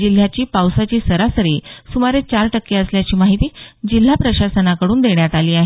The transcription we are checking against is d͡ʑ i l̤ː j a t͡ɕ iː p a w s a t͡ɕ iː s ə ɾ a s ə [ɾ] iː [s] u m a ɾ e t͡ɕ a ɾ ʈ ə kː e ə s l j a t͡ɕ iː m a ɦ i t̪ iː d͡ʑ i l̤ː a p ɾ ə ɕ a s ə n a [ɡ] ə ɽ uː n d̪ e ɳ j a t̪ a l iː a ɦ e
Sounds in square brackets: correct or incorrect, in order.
correct, correct, incorrect: k

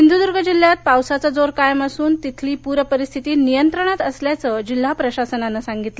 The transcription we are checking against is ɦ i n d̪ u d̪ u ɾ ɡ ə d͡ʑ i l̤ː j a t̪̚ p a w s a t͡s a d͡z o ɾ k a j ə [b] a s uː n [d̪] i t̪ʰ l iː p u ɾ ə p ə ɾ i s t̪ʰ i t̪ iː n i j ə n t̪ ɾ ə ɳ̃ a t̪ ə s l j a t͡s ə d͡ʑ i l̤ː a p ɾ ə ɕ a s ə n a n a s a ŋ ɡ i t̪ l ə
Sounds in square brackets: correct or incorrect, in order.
incorrect: m, incorrect: t̪

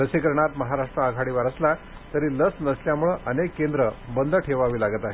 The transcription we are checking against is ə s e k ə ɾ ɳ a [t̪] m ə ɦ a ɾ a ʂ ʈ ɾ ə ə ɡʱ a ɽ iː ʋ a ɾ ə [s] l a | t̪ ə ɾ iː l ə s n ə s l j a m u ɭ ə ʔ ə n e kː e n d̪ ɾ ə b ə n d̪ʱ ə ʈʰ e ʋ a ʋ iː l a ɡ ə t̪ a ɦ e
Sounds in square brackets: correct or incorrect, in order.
correct, correct

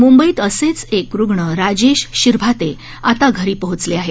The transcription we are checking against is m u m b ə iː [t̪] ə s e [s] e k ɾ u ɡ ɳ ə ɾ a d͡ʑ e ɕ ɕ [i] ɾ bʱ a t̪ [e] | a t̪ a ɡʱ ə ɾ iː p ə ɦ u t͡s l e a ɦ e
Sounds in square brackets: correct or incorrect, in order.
correct, incorrect: t͡s, correct, correct

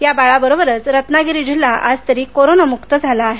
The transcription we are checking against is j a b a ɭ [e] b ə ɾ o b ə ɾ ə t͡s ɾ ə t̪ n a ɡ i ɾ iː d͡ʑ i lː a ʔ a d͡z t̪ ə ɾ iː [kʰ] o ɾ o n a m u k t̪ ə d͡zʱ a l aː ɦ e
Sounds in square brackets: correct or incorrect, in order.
incorrect: a, incorrect: k

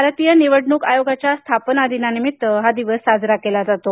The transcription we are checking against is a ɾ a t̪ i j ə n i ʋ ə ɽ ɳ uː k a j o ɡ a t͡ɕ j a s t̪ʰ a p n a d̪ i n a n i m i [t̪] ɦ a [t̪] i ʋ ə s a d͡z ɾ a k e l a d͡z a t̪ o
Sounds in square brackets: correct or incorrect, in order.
correct, incorrect: d̪

